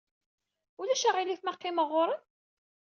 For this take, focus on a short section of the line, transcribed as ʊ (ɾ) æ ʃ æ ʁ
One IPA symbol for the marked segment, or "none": l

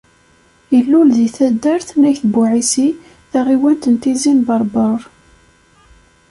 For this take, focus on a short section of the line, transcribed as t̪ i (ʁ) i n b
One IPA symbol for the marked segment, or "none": z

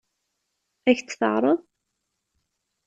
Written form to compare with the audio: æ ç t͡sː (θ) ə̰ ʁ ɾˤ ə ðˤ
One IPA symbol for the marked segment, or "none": θ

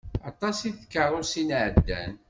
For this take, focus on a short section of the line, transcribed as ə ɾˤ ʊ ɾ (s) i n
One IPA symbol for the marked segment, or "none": s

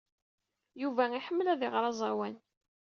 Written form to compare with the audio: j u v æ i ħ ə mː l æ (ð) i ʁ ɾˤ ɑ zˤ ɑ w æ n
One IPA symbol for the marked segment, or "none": ð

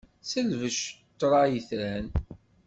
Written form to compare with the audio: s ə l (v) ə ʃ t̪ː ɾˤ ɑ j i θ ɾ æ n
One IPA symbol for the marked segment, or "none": v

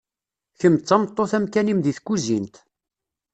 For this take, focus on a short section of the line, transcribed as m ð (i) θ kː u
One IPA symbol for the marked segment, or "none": i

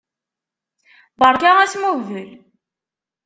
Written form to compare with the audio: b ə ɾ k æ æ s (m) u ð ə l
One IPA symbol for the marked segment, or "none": m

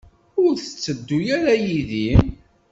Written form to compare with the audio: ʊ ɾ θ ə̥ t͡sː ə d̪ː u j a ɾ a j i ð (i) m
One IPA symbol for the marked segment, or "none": i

